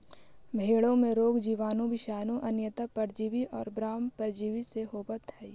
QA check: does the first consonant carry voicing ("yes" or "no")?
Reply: yes